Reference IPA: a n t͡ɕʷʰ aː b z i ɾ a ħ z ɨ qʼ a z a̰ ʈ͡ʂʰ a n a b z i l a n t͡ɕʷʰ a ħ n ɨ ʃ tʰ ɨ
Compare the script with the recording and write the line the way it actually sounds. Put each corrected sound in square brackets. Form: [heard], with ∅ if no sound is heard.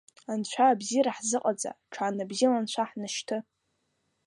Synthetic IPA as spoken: a n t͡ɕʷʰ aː b z i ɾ a ħ z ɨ qʼ a [d͡z] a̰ ʈ͡ʂʰ a n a b z i l a n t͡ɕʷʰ a ħ n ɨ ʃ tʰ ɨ